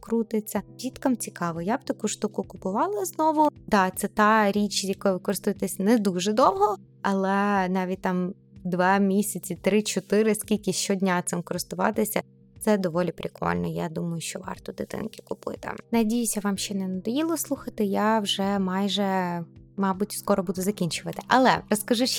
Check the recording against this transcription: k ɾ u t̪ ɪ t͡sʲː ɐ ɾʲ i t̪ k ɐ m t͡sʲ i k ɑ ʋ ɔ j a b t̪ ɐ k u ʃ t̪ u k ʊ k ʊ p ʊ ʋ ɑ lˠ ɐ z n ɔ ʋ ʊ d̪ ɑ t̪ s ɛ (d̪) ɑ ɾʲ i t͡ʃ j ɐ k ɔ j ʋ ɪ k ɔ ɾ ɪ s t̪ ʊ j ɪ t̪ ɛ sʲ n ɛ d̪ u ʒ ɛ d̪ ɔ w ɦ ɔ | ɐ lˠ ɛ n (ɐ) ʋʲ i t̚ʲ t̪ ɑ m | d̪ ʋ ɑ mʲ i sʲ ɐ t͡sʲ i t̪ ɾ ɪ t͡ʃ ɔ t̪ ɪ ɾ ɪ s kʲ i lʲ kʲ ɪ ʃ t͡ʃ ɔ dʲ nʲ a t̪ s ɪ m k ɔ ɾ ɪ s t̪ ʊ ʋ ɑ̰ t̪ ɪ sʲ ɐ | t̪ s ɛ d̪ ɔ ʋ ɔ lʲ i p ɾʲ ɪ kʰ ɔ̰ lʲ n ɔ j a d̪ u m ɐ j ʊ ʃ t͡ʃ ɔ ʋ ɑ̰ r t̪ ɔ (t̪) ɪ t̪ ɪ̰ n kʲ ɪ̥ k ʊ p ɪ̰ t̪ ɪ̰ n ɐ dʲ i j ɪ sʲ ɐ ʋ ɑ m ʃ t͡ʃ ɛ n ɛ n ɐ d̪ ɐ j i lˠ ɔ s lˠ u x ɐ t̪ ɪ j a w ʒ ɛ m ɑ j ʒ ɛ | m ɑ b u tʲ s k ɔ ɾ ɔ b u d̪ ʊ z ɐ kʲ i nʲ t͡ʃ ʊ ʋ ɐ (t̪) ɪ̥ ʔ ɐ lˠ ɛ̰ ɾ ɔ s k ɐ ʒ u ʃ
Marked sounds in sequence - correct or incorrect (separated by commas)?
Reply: incorrect, incorrect, incorrect, correct